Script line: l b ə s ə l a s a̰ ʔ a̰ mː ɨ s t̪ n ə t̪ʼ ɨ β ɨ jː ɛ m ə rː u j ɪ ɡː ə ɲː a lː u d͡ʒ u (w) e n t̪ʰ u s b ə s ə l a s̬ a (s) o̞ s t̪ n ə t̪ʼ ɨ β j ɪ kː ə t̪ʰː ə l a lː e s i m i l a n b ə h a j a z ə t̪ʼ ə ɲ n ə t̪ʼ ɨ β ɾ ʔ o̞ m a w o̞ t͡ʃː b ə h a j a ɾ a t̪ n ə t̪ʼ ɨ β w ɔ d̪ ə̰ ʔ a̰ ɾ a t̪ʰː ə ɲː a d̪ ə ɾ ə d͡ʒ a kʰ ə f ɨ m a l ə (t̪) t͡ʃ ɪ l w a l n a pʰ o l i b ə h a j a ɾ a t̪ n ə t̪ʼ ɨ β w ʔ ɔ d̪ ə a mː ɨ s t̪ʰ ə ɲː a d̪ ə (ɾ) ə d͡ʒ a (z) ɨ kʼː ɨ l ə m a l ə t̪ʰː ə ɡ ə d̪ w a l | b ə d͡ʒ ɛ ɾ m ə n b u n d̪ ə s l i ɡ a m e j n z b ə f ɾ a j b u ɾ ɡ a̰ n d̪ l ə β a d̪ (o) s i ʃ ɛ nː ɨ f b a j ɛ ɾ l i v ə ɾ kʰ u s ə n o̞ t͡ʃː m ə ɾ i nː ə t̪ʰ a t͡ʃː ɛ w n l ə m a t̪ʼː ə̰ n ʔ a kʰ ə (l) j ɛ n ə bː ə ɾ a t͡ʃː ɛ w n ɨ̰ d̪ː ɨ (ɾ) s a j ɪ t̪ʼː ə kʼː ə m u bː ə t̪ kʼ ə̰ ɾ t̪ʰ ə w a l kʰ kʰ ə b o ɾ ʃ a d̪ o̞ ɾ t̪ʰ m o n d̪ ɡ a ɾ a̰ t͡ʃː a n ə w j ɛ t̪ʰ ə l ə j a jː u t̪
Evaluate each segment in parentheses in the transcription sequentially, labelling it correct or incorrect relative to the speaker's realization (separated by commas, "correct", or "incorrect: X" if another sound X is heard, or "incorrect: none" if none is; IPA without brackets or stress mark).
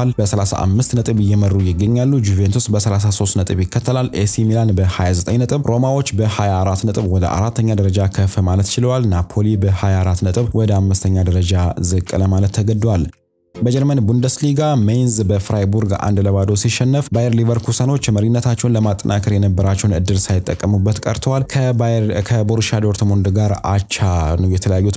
incorrect: v, correct, correct, correct, correct, correct, incorrect: ɾ, incorrect: l